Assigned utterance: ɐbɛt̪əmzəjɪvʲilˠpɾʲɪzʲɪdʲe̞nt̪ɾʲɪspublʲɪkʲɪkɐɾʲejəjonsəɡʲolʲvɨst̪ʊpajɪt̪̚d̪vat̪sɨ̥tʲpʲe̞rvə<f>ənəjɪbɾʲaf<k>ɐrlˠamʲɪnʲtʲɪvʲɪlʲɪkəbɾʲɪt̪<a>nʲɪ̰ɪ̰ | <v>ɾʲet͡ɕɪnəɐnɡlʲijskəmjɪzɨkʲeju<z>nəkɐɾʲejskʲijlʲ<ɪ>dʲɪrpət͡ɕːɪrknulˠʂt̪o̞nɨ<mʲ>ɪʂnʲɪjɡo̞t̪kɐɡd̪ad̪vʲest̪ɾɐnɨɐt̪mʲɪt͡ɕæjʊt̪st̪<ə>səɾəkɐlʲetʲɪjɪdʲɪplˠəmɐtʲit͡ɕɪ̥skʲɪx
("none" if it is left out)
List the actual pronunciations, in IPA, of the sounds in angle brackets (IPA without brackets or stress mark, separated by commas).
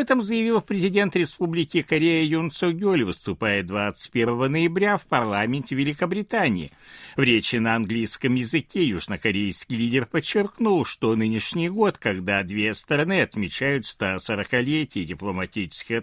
v, p, a, v, ʐ, i, nʲ, a